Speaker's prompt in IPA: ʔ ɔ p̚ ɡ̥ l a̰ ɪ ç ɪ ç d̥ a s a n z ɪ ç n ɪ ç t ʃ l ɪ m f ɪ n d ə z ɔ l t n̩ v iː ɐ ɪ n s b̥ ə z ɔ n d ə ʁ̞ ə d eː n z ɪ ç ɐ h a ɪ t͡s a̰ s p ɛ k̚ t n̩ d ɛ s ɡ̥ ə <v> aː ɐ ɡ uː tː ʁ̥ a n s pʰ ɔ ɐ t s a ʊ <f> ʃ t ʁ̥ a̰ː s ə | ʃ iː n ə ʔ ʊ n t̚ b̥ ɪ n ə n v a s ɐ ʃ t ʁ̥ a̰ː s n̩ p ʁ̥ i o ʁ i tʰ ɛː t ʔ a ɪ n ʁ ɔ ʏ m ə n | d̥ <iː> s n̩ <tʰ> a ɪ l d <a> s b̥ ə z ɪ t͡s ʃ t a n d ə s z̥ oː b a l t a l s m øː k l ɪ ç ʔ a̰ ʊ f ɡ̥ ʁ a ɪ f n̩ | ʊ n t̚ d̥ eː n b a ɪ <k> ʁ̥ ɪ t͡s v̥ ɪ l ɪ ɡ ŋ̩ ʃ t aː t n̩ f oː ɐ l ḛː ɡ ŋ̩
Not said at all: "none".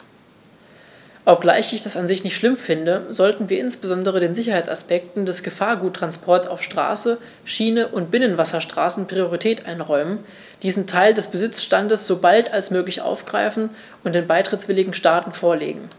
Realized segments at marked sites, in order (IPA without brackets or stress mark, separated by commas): f, f, iː, tʰ, ɛ, t